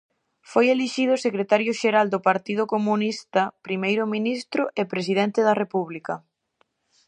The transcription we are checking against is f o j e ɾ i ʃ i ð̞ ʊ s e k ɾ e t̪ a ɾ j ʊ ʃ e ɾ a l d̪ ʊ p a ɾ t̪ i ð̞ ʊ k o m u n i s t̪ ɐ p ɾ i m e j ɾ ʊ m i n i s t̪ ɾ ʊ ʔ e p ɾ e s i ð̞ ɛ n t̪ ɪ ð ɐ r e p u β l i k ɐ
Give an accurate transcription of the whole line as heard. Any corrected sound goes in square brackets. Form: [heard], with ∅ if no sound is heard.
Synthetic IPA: f o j e [l] i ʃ i ð̞ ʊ s e k ɾ e t̪ a ɾ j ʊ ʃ e ɾ a l d̪ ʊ p a ɾ t̪ i ð̞ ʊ k o m u n i s t̪ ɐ p ɾ i m e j ɾ ʊ m i n i s t̪ ɾ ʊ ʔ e p ɾ e s i ð̞ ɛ n t̪ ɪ ð ɐ r e p u β l i k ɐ